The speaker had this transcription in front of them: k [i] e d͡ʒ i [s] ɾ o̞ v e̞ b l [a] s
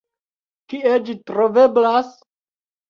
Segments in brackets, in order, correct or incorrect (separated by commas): correct, incorrect, correct